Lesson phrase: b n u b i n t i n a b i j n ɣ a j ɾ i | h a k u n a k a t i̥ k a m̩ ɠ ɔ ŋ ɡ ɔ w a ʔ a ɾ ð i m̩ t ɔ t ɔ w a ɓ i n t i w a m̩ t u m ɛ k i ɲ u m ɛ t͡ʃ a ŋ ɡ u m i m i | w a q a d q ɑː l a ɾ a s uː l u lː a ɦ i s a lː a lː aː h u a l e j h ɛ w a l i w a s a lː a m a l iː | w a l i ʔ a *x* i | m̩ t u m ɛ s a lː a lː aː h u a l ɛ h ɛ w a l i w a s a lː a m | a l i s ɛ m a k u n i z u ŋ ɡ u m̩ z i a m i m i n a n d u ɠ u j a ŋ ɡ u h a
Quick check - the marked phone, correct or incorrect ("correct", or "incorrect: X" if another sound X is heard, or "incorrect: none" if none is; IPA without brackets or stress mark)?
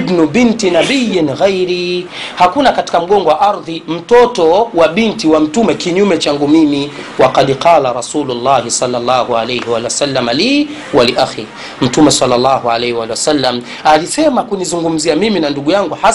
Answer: correct